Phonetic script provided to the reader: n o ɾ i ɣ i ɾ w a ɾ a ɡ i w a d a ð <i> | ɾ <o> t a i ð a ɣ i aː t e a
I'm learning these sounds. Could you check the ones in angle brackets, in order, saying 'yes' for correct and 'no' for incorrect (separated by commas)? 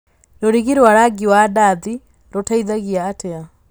yes, yes